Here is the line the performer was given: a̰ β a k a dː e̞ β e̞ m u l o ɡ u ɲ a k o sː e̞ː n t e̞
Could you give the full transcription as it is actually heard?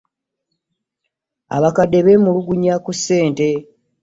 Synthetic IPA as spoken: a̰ β a k a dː e̞ β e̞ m u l u ɡ u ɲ a k u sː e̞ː n t e̞